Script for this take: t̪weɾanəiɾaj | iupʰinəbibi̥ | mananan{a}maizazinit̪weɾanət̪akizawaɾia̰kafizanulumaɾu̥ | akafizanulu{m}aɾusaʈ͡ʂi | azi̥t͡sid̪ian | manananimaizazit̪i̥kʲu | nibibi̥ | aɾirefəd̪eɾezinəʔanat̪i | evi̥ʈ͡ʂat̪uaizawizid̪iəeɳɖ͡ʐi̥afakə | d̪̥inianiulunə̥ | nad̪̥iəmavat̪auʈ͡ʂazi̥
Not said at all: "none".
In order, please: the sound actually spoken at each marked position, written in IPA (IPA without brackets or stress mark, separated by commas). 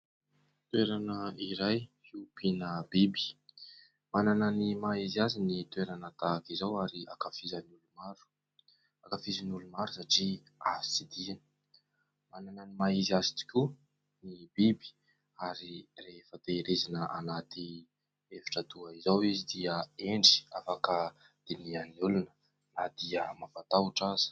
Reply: i, m